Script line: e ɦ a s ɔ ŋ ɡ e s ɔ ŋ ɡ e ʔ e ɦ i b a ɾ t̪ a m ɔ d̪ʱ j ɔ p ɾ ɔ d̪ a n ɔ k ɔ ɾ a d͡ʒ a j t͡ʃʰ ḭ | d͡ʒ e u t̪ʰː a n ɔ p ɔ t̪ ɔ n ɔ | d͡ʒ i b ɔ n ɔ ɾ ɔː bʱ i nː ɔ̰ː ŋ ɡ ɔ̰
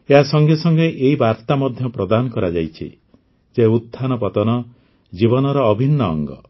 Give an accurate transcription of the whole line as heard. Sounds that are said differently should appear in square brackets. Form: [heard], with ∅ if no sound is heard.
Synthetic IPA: e ɦ a s ɔ ŋ ɡ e s ɔ ŋ ɡ e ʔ e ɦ i b a ɾ t̪ a m ɔ d̪ʱ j ɔ p ɾ ɔ d̪ a n ɔ k ɔ ɾ a d͡ʒ a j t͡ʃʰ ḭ | d͡ʒ e u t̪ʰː a n ɔ p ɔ t̪ ɔ n ɔ | d͡ʒ i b ɔ n ɔ ɾ ɔː bʱ i nː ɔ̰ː ŋ ɡ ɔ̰